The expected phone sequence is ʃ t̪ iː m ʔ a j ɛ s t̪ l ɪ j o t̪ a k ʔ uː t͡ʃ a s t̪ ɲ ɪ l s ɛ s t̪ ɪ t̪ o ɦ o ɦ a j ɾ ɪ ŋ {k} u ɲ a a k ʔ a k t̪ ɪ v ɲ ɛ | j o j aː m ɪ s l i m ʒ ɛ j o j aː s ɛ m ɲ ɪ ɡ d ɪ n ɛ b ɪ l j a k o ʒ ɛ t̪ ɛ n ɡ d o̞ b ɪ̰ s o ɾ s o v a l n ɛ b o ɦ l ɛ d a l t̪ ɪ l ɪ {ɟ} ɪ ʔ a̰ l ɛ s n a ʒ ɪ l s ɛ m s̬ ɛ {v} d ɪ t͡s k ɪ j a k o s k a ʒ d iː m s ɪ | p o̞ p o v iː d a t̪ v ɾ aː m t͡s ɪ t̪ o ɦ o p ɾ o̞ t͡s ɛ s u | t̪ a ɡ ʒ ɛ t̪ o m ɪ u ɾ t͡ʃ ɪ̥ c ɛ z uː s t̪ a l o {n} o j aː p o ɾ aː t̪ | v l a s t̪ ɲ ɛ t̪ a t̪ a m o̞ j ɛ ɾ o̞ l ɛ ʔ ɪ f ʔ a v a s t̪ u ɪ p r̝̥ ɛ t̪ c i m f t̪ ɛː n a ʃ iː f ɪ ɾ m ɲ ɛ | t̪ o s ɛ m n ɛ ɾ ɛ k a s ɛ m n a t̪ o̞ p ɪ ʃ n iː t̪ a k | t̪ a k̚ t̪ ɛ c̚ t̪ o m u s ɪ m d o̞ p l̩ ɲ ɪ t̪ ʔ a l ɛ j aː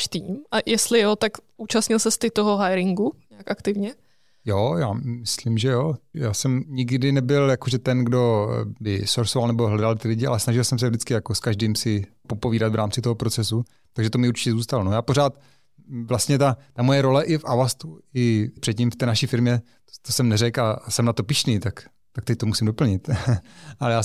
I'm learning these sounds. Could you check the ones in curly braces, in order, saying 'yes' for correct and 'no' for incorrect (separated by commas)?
no, yes, yes, yes